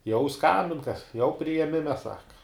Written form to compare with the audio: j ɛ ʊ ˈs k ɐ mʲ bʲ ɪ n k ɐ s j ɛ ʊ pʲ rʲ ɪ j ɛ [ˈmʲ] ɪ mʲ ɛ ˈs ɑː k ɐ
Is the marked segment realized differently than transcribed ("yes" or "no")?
no